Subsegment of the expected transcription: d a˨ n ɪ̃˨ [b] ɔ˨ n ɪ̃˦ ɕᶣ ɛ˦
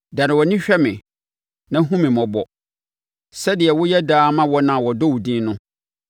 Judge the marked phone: incorrect: w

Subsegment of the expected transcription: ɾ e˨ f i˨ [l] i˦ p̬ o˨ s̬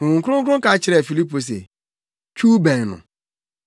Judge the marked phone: correct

